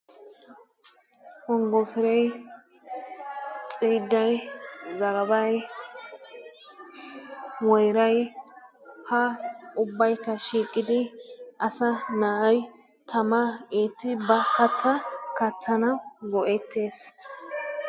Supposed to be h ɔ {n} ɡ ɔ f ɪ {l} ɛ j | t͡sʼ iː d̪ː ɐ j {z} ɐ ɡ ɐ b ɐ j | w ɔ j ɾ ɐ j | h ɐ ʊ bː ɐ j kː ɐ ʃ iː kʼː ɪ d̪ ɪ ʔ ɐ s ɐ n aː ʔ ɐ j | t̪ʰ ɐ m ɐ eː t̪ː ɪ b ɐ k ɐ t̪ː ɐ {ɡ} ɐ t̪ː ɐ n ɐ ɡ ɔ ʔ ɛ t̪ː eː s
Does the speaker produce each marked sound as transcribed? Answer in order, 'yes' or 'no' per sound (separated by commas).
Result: no, no, yes, no